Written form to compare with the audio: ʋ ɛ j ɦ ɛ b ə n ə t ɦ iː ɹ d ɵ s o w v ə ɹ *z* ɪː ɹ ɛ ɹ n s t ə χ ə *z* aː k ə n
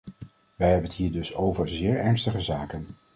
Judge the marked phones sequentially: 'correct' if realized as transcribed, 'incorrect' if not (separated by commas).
correct, correct